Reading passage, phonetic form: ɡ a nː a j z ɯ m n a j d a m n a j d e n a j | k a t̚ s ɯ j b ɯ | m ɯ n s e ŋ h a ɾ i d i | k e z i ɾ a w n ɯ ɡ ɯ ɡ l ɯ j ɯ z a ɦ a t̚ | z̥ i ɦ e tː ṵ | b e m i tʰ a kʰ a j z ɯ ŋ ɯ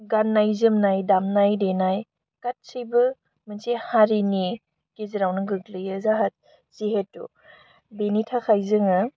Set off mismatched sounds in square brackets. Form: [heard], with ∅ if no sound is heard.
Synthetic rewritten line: ɡ a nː a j z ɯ m n a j d a m n a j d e n a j | k a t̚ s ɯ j b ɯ | m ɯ n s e [∅] h a ɾ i [n] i | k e z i ɾ a w n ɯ ɡ ɯ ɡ l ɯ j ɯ z a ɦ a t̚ | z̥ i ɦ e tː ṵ | b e [n] i tʰ a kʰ a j z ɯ ŋ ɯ